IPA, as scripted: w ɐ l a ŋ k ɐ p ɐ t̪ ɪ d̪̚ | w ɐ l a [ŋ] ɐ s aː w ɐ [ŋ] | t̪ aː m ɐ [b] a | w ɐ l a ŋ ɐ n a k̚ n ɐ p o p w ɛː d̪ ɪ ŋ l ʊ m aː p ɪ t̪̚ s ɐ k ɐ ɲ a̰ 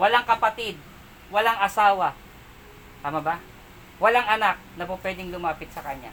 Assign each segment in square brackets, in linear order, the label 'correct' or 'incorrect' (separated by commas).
correct, incorrect, correct